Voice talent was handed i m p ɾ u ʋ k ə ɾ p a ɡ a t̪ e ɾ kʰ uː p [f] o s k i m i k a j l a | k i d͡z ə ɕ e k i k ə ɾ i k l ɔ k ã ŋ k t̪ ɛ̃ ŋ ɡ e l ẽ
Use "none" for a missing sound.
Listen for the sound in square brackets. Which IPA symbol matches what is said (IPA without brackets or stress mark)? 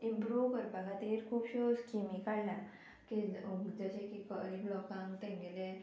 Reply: ɕ